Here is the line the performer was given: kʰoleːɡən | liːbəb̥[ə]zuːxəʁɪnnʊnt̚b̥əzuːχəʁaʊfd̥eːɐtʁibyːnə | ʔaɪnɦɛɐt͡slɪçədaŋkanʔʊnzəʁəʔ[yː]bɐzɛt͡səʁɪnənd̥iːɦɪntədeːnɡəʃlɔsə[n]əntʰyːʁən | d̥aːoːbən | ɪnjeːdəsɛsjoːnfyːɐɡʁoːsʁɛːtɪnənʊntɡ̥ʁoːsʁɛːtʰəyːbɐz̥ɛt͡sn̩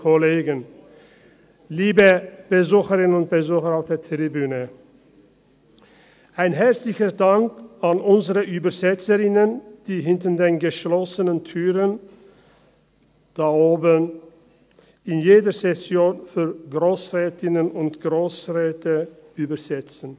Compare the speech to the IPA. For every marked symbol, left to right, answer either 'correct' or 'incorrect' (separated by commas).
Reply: correct, correct, correct